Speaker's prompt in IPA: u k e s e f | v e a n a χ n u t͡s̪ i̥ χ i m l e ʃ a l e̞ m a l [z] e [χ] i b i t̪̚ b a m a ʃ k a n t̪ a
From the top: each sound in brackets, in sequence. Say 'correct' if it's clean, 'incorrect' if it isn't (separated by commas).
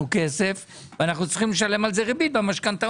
correct, incorrect